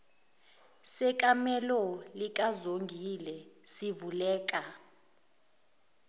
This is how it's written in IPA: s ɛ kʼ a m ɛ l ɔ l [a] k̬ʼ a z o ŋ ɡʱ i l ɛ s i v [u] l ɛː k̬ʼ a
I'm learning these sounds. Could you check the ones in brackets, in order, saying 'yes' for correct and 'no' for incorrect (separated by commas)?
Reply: no, yes